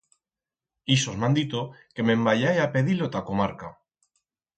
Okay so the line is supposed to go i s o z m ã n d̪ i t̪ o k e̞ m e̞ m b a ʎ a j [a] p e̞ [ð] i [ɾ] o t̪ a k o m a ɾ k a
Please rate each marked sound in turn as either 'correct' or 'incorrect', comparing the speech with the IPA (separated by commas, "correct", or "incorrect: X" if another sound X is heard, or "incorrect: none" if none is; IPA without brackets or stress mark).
correct, correct, incorrect: l